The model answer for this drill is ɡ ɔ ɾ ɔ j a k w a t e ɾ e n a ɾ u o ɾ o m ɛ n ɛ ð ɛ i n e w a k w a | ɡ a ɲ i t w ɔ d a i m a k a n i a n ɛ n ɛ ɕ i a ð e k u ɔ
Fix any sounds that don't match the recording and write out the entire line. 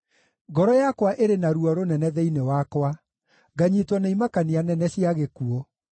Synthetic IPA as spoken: ɡ ɔ ɾ ɔ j a k w a ʔ e ɾ e n a ɾ u ɔ ɾ o n ɛ n ɛ ð ɛ i n e w a k w a | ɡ a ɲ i t w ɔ n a i m a k a n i a n ɛ n ɛ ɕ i a ɣ e k u ɔ